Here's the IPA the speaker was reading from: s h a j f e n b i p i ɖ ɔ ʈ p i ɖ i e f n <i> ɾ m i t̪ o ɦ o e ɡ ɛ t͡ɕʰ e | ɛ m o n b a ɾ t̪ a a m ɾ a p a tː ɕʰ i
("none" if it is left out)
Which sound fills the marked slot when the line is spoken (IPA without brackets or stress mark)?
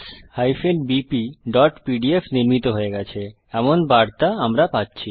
i